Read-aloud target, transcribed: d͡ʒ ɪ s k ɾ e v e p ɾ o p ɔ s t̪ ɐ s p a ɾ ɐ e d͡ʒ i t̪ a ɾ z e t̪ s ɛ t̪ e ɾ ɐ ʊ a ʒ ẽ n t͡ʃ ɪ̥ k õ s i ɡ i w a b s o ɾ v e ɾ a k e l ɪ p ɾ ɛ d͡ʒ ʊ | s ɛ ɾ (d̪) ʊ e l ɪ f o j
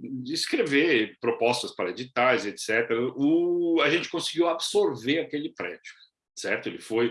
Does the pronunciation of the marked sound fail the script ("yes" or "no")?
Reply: yes